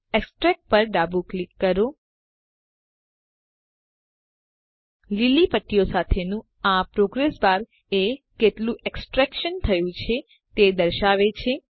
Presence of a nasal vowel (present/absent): present